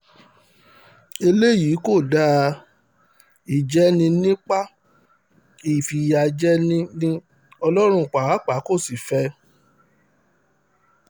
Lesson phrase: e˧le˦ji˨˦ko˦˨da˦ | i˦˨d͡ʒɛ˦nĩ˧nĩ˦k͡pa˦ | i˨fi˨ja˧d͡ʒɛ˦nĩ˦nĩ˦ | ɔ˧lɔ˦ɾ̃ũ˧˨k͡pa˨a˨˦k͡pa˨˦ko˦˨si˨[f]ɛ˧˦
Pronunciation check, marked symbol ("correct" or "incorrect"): correct